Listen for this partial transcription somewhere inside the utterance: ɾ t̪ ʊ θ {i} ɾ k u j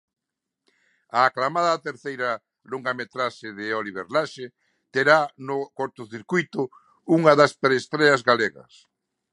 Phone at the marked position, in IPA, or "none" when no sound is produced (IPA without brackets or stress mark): i